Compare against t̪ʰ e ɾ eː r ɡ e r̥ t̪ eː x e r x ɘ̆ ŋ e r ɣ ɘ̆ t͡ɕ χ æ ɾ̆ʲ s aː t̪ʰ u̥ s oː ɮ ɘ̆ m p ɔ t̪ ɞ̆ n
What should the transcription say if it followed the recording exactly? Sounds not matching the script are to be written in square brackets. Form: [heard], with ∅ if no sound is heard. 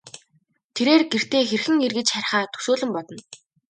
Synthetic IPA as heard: t̪ʰ e ɾ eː r ɡ e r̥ t̪ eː x e r x ɘ̆ ŋ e r ɣ ɘ̆ t͡ɕ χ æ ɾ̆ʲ [χ] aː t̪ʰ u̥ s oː ɮ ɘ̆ m p ɔ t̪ ɞ̆ n